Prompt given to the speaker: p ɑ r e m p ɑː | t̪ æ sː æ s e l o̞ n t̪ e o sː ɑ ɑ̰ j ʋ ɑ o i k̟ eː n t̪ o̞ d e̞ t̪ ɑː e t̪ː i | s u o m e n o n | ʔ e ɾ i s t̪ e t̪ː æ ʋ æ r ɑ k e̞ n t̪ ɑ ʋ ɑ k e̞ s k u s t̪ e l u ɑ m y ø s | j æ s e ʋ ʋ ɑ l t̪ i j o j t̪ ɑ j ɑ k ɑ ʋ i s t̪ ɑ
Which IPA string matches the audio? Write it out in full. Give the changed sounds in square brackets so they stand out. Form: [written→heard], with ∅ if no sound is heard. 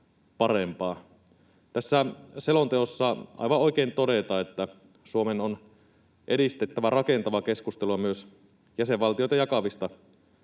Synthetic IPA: p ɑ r e m p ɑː | t̪ æ sː æ s e l o̞ n t̪ e o sː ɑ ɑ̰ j ʋ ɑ o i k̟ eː n t̪ o̞ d e̞ t̪ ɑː e t̪ː [i→æ] | s u o m e n o n | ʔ e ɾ i s t̪ e t̪ː æ ʋ æ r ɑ k e̞ n t̪ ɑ ʋ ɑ k e̞ s k u s t̪ e l u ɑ m y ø s | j æ s e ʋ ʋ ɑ l t̪ i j o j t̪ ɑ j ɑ k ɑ ʋ i s t̪ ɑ

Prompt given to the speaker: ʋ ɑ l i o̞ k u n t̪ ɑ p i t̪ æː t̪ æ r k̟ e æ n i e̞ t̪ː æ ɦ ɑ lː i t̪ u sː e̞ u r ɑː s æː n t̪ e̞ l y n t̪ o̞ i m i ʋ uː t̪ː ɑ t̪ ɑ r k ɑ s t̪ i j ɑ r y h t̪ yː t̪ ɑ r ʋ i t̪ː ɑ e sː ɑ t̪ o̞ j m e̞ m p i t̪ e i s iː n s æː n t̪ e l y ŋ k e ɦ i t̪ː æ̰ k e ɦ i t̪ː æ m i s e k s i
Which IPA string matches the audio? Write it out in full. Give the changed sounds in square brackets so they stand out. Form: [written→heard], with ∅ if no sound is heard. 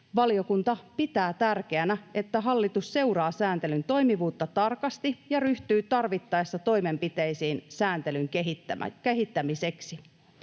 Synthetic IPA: ʋ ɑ l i o̞ k u n t̪ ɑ p i t̪ æː t̪ æ r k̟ e æ n [i→æ] e̞ t̪ː æ ɦ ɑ lː i t̪ u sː e̞ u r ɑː s æː n t̪ e̞ l y n t̪ o̞ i m i ʋ uː t̪ː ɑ t̪ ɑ r k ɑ s t̪ i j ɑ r y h t̪ yː t̪ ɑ r ʋ i t̪ː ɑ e sː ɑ t̪ o̞ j m e̞ m p i t̪ e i s iː n s æː n t̪ e l y ŋ k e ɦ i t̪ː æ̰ k e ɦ i t̪ː æ m i s e k s i

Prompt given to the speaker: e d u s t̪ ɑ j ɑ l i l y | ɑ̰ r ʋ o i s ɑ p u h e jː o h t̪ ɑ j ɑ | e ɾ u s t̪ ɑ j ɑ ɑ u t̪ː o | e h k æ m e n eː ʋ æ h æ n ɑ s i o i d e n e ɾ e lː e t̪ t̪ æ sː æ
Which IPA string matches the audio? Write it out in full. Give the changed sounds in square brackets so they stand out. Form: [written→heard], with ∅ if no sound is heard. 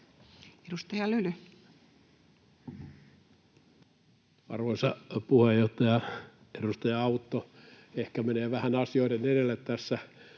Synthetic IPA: e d u s t̪ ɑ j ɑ l [i→y] l y | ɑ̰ r ʋ o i s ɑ p u h e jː o h t̪ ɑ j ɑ | e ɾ u s t̪ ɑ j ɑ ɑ u t̪ː o | e h k æ m e n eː ʋ æ h æ n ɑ s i o i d e n e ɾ e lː e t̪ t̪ æ sː æ

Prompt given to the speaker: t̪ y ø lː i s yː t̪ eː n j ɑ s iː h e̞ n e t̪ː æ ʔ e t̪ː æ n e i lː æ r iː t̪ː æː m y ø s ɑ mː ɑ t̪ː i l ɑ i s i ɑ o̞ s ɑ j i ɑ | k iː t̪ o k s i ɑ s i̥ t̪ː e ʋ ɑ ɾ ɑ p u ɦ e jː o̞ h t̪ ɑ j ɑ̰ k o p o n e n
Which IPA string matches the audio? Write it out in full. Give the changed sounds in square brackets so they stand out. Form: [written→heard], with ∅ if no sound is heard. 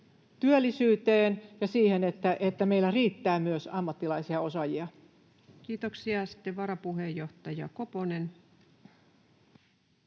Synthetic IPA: t̪ y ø lː i s yː t̪ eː n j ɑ s iː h e̞ n e t̪ː æ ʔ e t̪ː æ [n→m] e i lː æ r iː t̪ː æː m y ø s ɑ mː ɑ t̪ː i l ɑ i s i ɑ o̞ s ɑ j i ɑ | k iː t̪ o k s i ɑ s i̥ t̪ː e ʋ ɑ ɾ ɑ p u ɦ e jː o̞ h t̪ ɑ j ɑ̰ k o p o n e n

